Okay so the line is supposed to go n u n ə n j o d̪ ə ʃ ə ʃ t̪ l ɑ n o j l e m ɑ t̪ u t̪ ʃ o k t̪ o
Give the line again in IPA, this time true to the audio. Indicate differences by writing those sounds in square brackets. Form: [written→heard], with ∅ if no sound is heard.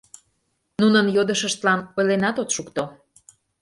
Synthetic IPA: n u n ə n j o d̪ ə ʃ ə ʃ t̪ l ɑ n o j l e [m→n] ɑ t̪ [u→o] t̪ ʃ [o→u] k t̪ o